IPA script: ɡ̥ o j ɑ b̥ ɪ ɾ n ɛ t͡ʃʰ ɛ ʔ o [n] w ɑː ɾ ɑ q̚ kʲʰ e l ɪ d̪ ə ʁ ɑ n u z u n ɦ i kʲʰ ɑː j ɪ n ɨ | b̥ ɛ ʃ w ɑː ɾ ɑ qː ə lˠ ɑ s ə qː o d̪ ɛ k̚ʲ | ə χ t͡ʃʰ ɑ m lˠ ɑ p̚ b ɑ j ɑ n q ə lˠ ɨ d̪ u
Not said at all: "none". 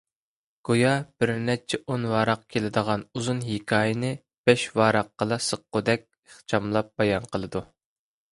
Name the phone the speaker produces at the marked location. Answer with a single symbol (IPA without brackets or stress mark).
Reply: n